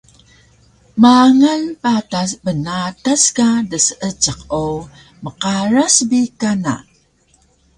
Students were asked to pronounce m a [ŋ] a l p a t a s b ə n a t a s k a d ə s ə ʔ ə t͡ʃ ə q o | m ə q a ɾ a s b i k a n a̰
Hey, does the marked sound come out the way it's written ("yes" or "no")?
yes